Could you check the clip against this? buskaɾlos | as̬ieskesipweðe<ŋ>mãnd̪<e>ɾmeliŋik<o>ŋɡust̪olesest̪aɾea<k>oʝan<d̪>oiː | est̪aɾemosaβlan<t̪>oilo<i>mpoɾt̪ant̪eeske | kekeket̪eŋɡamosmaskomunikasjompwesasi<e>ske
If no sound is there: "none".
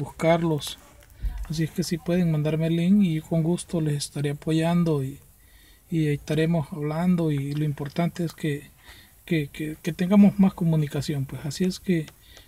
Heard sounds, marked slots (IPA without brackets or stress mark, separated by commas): ŋ, a, o, p, d̪, d̪, i, e